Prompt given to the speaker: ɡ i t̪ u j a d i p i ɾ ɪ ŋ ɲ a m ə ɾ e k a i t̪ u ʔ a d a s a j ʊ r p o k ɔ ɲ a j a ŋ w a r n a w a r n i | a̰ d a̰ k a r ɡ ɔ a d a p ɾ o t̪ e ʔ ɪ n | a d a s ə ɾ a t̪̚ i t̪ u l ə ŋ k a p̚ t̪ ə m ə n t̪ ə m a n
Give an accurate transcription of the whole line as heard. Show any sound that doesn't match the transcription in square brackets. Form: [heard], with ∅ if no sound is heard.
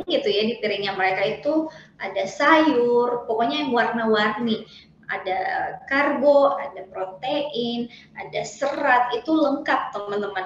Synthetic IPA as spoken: ɡ i t̪ u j a d i p i ɾ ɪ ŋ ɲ a m ə ɾ e k a i t̪ u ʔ a d a s a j ʊ r p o k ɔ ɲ a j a ŋ w a r n a w a r n i | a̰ d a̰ k a r ɡ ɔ a d a p ɾ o t̪ e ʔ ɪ n | a d a s ə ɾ a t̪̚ i t̪ u l ə ŋ k a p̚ t̪ ə m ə n t̪ ə m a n